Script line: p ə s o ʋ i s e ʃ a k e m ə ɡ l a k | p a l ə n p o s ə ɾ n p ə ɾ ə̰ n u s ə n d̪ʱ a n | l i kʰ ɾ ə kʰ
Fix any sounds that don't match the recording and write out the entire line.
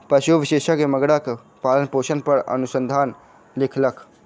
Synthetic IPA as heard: p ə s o ʋ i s e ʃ a k e m ə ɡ ɽ a k | p a l ə n p o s ə n p ə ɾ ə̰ n u s ə n d̪ʱ a n | l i kʰ l ə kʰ